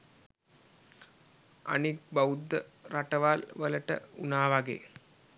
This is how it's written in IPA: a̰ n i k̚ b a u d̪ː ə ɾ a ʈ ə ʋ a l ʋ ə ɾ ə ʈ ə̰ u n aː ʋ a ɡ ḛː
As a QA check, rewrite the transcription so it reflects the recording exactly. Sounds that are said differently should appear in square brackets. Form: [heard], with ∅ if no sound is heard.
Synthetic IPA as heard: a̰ n i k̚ b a u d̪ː ə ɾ a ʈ ə ʋ a l ʋ ə [l] ə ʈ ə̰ u n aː ʋ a ɡ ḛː